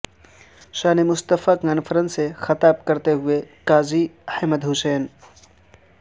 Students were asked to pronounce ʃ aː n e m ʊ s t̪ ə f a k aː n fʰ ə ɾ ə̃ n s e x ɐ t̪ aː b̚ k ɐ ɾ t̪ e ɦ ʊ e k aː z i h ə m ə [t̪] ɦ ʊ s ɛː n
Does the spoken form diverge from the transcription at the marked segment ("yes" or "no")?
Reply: yes